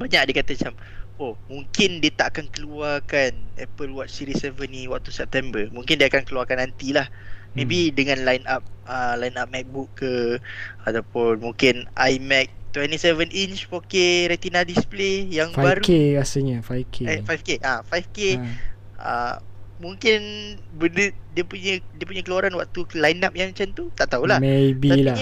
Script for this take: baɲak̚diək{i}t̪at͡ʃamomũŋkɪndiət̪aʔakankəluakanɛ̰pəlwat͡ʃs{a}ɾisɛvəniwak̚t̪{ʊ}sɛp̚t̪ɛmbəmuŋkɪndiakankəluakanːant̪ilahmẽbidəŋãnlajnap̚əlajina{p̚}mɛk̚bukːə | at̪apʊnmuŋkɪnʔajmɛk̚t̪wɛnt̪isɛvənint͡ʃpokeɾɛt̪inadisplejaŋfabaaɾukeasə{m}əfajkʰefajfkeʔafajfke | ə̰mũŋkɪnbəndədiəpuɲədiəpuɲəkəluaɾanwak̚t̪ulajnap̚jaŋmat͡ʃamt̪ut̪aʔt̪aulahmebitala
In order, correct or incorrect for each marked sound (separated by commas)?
incorrect, incorrect, incorrect, correct, incorrect